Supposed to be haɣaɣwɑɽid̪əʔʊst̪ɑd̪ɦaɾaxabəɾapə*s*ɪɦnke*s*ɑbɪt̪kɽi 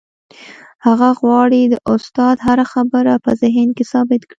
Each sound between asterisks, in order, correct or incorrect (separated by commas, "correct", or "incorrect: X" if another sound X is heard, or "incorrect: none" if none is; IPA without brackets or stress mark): incorrect: z, correct